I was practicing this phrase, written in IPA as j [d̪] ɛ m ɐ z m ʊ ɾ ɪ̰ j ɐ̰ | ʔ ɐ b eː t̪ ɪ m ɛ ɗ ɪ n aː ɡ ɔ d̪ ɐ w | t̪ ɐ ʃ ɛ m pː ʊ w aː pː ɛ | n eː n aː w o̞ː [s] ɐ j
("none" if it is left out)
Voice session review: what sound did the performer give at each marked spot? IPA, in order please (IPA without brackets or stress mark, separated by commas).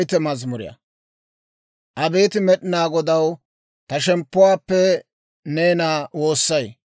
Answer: t̪, sː